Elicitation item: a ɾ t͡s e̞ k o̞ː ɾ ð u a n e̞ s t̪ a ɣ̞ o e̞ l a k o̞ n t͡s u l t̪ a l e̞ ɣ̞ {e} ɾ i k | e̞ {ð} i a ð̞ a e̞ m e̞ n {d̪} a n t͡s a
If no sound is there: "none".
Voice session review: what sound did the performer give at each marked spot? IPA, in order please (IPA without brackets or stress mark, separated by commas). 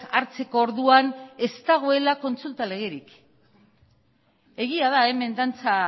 e, ɣ, d̪